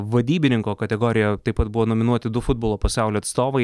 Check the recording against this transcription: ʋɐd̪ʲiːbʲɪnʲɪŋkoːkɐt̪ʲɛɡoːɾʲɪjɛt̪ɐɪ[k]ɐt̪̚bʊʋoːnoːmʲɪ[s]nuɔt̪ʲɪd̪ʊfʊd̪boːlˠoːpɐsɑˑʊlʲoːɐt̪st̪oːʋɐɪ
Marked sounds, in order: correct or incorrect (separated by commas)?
incorrect, incorrect